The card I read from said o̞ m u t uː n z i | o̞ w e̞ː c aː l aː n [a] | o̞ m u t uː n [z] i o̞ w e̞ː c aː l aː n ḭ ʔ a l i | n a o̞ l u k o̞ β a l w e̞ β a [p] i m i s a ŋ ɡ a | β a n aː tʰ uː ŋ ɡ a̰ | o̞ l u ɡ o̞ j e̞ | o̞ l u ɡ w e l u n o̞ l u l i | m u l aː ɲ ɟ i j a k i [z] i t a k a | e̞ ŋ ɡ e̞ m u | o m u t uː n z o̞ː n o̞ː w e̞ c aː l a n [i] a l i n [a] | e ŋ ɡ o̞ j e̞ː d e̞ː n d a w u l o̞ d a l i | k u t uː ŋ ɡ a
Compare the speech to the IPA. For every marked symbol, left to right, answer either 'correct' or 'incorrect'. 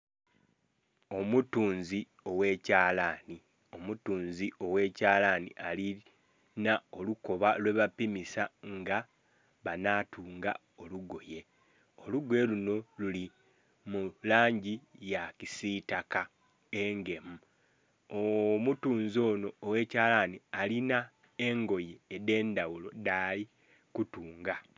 incorrect, correct, correct, incorrect, correct, correct

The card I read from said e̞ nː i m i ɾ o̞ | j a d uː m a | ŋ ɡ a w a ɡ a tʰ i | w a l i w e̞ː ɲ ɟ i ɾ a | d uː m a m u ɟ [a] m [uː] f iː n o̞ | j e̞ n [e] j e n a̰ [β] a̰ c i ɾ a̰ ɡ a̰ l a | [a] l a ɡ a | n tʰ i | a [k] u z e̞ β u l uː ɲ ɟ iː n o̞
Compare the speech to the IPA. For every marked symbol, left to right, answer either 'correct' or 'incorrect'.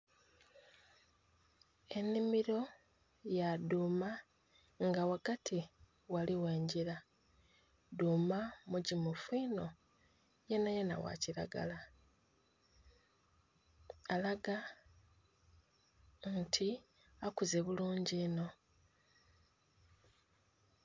incorrect, incorrect, incorrect, incorrect, correct, correct

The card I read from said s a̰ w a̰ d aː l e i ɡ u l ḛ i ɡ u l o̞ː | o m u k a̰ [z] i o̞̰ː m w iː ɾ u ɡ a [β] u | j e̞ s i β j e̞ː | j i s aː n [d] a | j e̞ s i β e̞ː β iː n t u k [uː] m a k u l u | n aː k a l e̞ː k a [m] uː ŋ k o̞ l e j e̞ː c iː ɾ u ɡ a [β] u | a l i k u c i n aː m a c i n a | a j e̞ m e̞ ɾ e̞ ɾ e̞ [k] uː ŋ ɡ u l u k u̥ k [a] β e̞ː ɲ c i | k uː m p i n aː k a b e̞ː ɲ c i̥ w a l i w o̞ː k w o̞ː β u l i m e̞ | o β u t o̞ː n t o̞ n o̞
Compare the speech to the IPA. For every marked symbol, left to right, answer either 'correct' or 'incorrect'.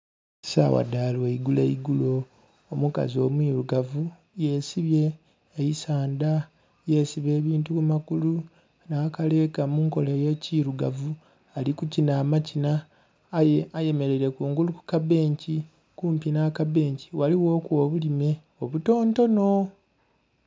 correct, incorrect, correct, incorrect, correct, incorrect, correct, correct

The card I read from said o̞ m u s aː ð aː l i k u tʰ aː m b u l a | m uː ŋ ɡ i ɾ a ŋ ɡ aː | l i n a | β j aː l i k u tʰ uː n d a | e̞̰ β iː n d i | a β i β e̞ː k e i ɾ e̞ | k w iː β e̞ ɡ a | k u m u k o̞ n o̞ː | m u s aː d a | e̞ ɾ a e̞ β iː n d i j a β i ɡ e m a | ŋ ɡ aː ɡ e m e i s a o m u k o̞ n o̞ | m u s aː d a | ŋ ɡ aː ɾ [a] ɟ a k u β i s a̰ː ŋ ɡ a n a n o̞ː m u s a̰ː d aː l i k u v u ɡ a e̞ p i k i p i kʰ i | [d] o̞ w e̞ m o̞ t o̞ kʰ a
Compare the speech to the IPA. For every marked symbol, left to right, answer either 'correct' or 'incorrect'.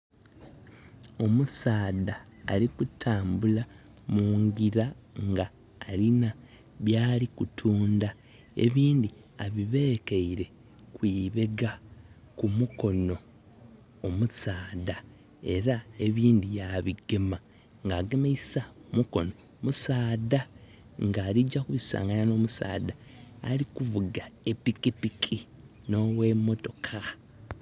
incorrect, incorrect

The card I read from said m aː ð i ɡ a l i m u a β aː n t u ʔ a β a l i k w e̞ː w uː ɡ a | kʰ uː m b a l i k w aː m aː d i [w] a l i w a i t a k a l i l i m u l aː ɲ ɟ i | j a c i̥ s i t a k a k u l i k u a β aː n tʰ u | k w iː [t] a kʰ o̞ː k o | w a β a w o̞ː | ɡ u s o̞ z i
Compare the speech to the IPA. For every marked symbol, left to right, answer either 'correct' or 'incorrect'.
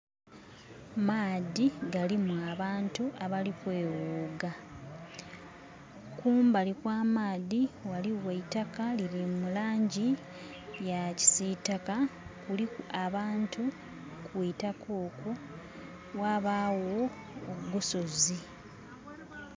correct, correct

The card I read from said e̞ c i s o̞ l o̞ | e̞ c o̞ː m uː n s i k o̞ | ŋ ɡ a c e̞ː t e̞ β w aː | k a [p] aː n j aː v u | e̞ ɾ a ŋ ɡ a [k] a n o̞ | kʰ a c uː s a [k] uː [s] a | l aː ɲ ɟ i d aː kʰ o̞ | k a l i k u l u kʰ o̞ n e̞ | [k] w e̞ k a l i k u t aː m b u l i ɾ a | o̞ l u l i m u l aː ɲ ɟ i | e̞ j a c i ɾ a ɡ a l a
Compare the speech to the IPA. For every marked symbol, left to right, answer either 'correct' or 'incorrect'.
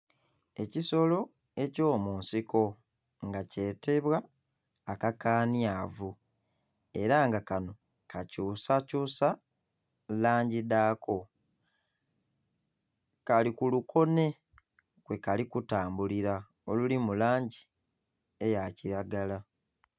incorrect, correct, incorrect, correct, correct

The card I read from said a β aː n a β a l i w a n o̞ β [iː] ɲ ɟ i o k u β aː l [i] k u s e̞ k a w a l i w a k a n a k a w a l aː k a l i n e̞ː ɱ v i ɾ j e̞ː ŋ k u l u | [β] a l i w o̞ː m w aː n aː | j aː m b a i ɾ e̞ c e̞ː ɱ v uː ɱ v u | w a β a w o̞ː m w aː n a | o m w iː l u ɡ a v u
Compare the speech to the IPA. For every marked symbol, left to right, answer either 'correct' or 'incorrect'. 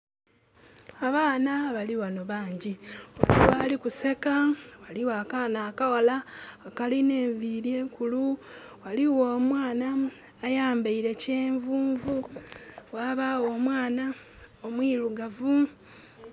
incorrect, correct, incorrect

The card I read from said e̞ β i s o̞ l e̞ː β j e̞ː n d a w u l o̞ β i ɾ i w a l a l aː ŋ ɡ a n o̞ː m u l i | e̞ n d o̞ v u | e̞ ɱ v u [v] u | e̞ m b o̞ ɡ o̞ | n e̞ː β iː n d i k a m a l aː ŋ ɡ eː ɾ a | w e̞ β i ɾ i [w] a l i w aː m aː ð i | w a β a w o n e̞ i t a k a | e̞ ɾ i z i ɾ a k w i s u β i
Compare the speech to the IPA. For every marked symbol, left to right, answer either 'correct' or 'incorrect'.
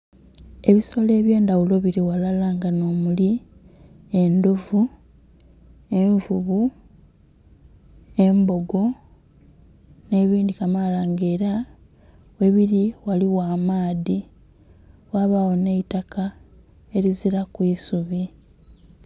incorrect, correct

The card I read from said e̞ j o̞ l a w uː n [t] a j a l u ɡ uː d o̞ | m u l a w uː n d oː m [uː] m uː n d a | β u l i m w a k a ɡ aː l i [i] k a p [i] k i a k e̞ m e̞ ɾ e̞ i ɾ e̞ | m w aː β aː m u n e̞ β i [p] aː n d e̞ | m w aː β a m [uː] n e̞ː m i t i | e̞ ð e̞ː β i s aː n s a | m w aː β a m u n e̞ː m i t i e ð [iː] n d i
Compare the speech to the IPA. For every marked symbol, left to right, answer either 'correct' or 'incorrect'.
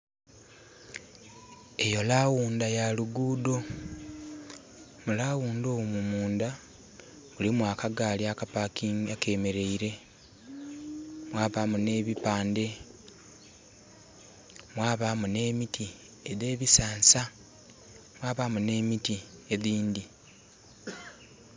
incorrect, incorrect, incorrect, incorrect, correct, incorrect, correct

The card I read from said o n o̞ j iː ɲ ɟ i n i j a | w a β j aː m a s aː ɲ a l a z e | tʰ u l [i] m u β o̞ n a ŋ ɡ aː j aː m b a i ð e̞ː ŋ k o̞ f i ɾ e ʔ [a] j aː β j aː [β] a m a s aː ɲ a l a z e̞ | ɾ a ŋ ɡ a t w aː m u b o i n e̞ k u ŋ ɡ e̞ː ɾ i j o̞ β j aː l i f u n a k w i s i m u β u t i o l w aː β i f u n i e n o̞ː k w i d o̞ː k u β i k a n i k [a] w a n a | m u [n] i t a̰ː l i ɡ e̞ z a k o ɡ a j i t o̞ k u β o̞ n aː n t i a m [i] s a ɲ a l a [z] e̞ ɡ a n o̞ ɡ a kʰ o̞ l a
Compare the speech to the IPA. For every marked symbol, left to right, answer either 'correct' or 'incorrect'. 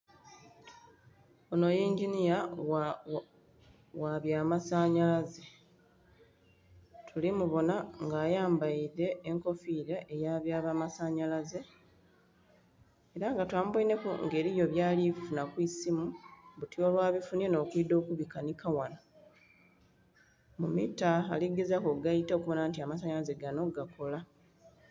correct, incorrect, correct, correct, incorrect, incorrect, correct

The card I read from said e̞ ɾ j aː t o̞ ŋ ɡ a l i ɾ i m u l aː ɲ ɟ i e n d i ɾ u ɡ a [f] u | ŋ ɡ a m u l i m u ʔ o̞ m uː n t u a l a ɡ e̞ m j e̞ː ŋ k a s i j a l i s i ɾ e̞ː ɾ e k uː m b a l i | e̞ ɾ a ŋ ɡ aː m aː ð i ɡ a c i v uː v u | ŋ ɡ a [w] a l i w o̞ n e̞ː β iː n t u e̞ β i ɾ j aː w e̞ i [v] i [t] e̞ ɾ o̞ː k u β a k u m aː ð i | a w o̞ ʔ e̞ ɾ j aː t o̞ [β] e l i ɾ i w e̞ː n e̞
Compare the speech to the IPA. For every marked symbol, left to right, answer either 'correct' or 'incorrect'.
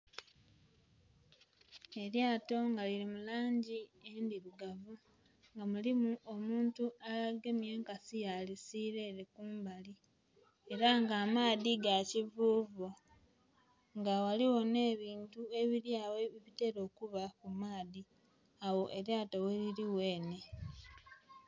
incorrect, correct, incorrect, correct, incorrect

